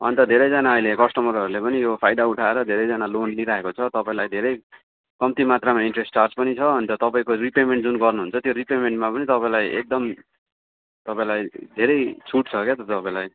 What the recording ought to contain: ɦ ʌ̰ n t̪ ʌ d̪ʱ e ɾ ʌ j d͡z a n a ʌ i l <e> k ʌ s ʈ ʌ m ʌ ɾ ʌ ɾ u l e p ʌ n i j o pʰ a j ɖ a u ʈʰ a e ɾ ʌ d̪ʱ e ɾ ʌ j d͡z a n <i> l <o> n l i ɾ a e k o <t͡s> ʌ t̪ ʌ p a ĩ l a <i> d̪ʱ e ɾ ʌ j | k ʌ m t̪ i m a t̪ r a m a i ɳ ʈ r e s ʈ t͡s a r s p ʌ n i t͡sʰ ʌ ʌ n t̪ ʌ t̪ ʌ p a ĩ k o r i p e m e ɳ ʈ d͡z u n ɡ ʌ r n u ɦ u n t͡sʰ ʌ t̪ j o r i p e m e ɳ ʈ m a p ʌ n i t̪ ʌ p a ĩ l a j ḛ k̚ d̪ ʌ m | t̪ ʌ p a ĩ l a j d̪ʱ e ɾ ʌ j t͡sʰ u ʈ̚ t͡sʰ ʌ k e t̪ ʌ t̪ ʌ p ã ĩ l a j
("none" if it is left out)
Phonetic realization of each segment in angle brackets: e, a, o, t͡sʰ, j

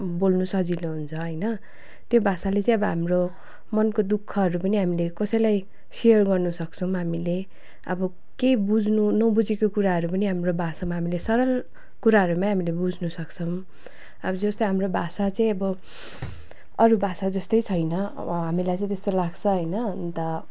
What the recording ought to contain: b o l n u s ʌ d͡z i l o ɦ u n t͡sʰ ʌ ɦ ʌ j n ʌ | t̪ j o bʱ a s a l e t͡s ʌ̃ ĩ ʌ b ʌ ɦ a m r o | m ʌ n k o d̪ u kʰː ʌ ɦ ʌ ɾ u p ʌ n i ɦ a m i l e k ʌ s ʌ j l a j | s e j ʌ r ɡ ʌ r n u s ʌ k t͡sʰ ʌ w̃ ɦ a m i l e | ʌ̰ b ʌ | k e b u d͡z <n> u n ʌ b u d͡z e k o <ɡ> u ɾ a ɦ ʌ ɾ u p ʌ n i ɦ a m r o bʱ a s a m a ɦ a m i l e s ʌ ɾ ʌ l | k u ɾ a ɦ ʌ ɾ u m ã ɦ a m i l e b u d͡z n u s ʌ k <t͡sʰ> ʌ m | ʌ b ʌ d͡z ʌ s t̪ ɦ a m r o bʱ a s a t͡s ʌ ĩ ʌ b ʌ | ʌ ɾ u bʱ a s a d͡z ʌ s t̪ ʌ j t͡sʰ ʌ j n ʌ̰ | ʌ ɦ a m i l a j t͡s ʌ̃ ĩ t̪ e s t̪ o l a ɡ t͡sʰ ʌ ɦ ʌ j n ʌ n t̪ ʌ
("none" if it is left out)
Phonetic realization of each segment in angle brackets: n, k, t͡sʰ

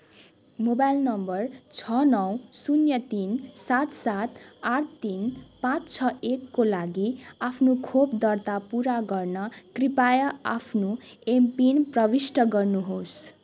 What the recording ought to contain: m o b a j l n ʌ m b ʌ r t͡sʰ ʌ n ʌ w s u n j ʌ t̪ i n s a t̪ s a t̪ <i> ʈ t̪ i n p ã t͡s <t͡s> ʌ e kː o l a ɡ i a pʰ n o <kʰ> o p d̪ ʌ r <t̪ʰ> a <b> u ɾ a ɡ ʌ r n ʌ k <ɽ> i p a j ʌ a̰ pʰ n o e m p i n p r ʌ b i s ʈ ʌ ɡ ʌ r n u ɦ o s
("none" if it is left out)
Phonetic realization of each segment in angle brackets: a, t͡sʰ, kʰ, t̪, p, r

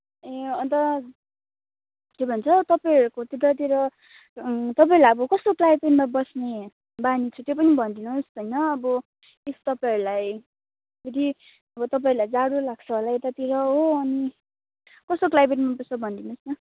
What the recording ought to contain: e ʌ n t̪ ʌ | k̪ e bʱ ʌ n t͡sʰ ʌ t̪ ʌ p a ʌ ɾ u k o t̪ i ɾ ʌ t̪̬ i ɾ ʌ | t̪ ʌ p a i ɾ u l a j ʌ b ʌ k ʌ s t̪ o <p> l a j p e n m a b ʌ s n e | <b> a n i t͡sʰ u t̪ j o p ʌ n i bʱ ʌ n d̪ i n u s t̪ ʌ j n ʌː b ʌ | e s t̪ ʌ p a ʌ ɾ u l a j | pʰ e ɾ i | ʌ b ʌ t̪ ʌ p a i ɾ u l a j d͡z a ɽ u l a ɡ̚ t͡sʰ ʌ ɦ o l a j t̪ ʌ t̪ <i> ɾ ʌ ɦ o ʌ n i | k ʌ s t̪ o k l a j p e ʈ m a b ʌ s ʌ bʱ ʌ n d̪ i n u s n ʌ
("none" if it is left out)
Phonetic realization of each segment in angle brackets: k, b, i

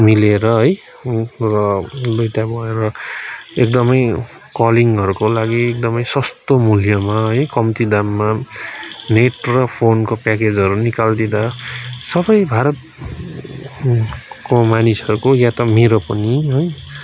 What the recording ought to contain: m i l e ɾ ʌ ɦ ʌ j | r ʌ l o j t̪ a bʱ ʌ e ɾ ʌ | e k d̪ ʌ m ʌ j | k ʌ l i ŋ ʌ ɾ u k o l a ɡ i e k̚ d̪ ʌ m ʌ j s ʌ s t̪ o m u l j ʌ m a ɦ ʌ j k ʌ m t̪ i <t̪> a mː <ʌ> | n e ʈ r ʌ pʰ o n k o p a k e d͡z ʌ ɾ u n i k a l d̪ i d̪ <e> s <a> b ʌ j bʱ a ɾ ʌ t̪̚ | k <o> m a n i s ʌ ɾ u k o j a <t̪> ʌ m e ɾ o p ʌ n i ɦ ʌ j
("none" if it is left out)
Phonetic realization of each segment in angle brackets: d̪, a, a, ʌ, o, t̪

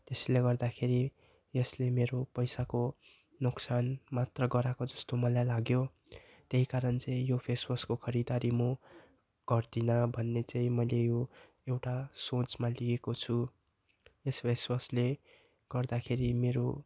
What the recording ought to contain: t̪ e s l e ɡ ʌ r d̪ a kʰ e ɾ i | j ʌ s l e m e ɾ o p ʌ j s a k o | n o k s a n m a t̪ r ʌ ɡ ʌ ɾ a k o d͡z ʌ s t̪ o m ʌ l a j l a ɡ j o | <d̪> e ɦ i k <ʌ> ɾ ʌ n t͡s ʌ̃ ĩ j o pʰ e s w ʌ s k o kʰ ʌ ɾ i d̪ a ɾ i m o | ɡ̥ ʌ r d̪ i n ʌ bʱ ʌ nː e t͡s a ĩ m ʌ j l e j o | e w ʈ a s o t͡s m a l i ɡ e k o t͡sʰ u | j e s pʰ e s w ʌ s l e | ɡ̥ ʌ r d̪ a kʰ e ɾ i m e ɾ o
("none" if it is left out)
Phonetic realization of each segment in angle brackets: t̪, a

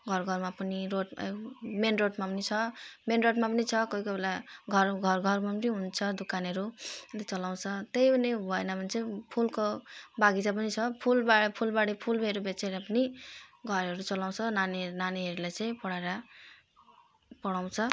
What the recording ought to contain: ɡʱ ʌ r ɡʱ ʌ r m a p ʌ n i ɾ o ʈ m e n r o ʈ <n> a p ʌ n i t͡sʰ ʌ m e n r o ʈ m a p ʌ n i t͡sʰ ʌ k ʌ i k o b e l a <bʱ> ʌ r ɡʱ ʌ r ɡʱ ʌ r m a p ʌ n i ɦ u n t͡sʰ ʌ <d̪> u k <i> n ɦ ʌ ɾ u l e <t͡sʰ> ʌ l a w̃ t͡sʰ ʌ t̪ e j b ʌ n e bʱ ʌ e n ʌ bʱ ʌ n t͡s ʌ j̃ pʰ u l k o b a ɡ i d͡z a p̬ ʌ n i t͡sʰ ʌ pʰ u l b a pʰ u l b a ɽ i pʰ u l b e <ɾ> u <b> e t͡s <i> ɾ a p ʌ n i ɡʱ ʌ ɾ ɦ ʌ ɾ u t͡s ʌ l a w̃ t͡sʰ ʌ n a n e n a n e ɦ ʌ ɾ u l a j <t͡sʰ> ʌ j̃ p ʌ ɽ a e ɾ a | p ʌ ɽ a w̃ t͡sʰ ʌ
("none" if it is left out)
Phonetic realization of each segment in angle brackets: m, ɡʱ, d̪, a, t͡s, ɾ, b, e, t͡s

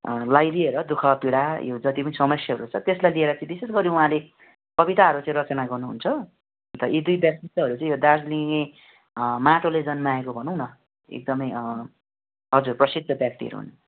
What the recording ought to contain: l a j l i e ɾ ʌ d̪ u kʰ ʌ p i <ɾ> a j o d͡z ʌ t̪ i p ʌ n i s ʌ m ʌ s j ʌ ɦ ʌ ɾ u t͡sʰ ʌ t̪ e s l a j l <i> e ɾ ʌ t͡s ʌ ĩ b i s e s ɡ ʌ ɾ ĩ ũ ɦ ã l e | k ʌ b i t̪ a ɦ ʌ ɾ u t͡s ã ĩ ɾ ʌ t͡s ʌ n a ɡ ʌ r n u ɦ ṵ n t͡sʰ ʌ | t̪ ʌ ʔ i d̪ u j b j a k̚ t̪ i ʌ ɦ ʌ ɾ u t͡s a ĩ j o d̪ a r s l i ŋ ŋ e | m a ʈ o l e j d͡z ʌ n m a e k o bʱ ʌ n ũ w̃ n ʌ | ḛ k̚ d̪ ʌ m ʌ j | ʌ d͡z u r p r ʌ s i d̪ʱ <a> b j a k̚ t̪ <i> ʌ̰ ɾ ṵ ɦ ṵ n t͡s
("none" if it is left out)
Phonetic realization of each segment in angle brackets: ɽ, i, ʌ, i

